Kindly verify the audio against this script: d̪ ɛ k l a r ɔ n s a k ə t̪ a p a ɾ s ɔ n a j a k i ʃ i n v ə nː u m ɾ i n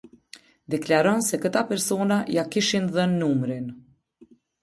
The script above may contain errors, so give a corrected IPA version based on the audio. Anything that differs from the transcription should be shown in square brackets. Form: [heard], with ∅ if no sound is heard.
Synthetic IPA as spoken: d̪ ɛ k l a [ɾ] ɔ n s [ɛ] k ə t̪ a p [ɛ] ɾ s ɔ n a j a k i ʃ i n [ð] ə nː u m ɾ i n